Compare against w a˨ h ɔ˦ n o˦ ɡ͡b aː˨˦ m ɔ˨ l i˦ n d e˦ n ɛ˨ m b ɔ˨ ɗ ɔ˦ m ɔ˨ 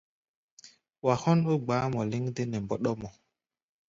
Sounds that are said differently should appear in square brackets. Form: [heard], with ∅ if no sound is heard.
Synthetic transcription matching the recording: w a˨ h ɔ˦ n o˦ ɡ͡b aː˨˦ m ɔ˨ l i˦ [ŋ] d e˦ n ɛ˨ m b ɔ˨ ɗ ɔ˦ m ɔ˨

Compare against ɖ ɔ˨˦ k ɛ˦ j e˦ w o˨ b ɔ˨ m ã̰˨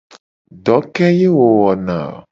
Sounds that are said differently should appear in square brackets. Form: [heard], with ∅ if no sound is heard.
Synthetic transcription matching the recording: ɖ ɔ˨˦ k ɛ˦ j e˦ w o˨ [w] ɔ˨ [n] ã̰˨

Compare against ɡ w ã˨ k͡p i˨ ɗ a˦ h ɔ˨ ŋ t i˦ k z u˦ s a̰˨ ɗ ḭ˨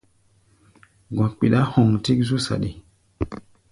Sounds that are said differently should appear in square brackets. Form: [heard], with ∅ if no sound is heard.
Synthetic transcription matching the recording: ɡ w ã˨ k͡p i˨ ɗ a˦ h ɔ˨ ŋ t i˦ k z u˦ s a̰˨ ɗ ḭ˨

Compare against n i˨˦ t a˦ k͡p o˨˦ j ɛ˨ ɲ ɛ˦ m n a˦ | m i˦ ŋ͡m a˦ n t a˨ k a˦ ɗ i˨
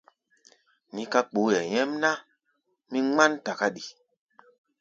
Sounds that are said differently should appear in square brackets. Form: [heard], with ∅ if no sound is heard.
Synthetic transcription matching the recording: n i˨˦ [k] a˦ k͡p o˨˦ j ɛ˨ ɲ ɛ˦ m n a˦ | m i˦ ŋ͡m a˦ n t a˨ k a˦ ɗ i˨

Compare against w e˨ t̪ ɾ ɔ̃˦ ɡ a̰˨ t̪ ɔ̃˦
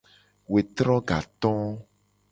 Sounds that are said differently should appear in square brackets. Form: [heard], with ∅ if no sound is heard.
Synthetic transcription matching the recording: w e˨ t̪ ɾ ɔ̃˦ ɡ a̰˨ t̪ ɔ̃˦

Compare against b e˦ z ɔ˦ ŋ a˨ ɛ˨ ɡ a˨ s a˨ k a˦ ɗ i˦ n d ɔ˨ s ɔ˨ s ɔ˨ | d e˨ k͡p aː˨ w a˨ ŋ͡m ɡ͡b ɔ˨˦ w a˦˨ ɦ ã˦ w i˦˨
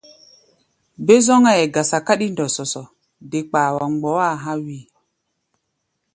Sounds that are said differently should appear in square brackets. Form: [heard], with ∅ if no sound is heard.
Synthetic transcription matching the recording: b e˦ z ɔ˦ ŋ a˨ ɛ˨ ɡ a˨ s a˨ k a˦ ɗ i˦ n d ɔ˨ s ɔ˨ s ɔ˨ | d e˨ k͡p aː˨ w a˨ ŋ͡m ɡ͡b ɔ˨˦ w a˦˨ ɦ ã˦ w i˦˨

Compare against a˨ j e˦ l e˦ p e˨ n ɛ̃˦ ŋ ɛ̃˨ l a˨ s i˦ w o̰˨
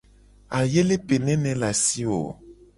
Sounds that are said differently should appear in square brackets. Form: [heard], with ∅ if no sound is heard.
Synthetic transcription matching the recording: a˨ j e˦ l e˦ p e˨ n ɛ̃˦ [n] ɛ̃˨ l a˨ s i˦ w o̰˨

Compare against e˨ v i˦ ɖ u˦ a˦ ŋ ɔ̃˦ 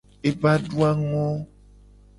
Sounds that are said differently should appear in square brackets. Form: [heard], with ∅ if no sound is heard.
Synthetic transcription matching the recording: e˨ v [a˦] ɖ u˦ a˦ ŋ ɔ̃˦

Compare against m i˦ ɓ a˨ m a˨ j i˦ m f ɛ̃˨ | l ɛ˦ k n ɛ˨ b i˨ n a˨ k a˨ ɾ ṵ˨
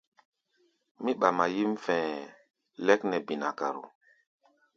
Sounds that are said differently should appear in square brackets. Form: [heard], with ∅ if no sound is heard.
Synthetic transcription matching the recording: m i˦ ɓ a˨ m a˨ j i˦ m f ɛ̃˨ | l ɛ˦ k n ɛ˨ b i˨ n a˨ k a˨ ɾ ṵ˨

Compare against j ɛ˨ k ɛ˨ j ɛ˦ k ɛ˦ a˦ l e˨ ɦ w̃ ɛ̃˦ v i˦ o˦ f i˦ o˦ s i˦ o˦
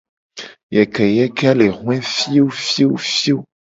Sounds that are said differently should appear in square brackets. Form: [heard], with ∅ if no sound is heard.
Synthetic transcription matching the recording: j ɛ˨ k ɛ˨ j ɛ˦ k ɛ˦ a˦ l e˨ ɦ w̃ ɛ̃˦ [f] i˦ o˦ f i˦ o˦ [f] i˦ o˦

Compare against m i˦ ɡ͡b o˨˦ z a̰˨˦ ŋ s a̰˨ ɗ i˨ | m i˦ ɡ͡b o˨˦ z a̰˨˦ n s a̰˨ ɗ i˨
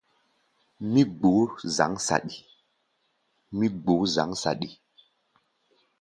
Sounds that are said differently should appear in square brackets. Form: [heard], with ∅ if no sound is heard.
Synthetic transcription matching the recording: m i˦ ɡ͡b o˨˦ z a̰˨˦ ŋ s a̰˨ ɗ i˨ | m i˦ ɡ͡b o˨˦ z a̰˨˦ [ŋ] s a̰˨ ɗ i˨

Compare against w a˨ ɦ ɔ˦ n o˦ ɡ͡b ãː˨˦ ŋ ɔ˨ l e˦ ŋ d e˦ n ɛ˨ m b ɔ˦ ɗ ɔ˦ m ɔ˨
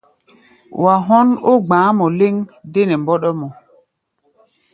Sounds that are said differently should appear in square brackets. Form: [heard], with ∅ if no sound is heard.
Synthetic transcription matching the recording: w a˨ ɦ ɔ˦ n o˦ ɡ͡b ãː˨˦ [m] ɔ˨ l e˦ ŋ d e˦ n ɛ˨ m b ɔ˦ ɗ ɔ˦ m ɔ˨

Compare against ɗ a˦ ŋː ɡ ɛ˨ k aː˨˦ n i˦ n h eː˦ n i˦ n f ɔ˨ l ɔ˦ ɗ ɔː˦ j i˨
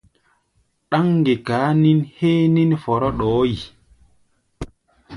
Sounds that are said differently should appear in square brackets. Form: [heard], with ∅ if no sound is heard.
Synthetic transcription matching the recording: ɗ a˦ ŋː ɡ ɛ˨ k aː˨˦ n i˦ n h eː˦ n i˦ n f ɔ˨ [ɾ] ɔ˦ ɗ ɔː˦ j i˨

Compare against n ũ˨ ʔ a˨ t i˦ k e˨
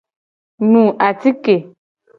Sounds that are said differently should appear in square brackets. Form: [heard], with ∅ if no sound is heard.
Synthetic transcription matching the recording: n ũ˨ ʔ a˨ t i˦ k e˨

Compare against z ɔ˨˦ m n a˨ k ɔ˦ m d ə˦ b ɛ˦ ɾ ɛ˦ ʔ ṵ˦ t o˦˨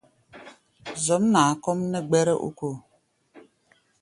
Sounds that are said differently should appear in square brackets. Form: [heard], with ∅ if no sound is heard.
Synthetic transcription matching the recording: z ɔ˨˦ m n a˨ k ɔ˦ m [n] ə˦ [ɡ͡b] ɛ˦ ɾ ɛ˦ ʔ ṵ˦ [k] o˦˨

